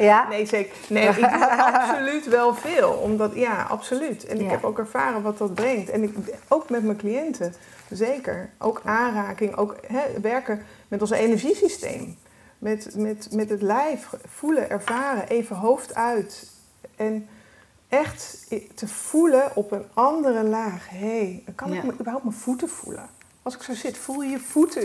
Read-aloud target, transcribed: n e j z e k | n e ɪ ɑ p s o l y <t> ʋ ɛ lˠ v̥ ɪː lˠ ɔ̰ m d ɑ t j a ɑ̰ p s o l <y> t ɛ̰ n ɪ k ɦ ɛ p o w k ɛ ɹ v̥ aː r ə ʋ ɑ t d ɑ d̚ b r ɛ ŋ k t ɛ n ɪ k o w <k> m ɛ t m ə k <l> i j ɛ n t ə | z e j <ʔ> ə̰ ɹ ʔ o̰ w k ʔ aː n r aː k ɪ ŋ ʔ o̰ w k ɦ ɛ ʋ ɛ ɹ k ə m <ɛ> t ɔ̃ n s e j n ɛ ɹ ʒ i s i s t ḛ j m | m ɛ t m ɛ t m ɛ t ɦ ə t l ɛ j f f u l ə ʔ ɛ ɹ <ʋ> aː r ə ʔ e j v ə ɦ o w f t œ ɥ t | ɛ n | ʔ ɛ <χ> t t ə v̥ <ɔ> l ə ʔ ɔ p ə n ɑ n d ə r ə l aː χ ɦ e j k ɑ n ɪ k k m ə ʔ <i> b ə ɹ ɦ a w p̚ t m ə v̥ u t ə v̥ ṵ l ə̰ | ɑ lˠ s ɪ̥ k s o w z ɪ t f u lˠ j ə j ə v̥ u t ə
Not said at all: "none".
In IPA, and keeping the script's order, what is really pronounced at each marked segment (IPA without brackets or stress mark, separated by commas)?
t, y, k, l, k, ɛ, v, χ, u, y